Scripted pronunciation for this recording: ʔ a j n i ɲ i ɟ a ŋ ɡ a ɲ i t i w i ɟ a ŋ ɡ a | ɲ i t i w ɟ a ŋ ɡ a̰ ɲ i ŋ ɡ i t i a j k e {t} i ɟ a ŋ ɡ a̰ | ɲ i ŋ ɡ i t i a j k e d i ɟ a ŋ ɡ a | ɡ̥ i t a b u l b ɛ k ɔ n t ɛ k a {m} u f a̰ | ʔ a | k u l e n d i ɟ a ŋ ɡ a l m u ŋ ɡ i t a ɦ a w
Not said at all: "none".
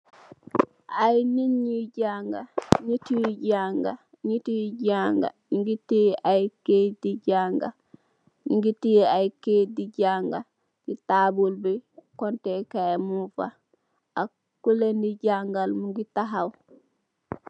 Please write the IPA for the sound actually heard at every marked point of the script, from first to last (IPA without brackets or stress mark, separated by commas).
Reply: d, m